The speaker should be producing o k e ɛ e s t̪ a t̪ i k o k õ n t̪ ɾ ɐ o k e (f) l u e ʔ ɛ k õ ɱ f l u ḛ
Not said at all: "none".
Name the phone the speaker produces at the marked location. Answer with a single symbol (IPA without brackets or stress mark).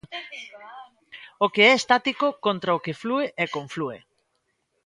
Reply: f